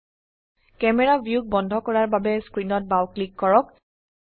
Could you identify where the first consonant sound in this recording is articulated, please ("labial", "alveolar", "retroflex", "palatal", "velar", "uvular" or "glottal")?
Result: velar